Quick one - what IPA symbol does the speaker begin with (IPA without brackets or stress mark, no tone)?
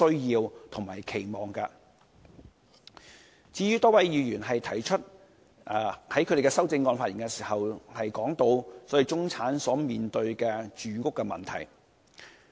ɵ